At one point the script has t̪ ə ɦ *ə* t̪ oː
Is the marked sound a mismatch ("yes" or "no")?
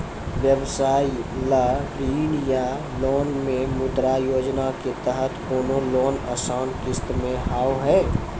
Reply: no